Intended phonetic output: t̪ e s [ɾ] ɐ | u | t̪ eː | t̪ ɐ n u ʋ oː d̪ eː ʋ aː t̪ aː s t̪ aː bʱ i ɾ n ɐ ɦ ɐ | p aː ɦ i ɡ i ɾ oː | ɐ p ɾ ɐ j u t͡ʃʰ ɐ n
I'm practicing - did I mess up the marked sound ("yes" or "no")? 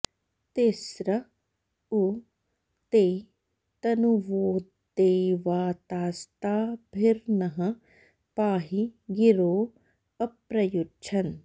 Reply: no